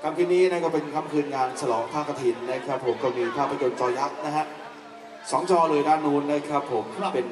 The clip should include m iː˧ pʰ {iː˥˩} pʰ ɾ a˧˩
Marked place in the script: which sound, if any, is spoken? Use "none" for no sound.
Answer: aː˥˩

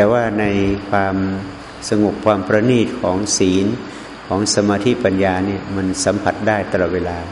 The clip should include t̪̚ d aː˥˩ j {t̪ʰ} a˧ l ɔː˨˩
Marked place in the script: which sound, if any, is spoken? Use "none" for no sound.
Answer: t̪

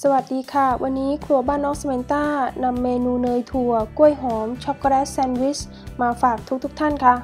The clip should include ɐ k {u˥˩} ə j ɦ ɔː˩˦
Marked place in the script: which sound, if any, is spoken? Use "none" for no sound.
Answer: u˥˩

